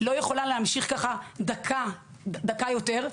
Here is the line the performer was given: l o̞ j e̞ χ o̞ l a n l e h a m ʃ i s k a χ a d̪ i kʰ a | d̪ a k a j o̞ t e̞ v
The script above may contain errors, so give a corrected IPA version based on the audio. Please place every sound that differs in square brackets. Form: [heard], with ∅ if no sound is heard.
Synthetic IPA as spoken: l o̞ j e̞ χ o̞ l a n l e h a m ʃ i [χ] k a χ a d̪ [a] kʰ a | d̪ a k a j o̞ t e̞ [ʁ]